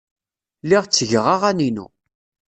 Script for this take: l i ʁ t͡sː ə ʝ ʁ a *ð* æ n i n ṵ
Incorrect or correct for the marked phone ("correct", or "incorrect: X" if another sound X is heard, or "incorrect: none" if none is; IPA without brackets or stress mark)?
incorrect: ʁ